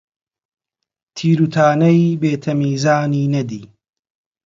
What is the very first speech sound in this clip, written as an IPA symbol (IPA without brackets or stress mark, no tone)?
t̪ʰ